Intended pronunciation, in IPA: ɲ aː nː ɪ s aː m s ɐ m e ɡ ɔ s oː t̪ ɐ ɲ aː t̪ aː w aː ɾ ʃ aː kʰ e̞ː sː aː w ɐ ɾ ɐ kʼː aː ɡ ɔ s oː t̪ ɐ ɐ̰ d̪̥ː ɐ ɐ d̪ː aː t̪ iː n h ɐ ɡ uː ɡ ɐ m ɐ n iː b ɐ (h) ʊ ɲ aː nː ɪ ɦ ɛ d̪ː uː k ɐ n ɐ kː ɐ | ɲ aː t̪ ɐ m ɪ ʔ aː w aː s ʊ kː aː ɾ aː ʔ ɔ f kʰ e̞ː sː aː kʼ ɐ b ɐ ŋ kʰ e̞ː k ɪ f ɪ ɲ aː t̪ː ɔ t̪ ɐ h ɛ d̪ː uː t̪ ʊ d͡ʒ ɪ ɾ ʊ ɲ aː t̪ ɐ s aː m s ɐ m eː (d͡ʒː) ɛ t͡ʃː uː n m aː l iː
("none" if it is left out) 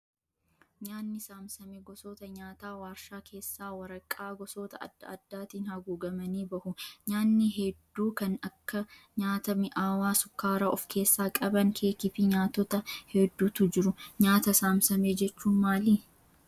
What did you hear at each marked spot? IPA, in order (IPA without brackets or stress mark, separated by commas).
h, d͡ʒ